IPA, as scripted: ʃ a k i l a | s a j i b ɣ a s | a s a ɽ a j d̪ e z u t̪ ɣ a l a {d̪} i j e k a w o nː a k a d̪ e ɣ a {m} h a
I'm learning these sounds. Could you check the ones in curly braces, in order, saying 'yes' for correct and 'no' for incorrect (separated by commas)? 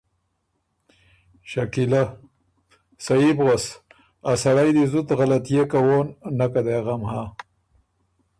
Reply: no, yes